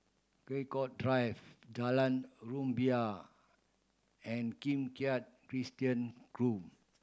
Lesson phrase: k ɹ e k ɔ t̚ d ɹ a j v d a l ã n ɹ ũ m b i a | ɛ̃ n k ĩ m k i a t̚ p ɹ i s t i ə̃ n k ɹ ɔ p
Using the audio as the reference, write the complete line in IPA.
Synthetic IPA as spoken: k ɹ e k ɔ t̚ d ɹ a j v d a l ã n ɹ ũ m b i a | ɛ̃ n k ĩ m k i a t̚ k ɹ i s t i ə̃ n k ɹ u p